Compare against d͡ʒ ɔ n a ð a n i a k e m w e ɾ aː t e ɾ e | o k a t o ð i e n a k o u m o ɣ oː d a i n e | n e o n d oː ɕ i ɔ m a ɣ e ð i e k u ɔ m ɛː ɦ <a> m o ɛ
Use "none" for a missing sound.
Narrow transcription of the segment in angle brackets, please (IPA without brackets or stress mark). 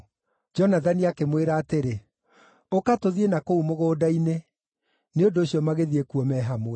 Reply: a